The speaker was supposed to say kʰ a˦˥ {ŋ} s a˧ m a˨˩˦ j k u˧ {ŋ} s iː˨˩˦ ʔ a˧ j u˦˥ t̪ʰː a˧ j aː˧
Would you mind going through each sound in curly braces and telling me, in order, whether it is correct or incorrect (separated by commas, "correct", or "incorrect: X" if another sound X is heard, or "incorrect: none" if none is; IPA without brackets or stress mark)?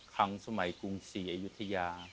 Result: correct, correct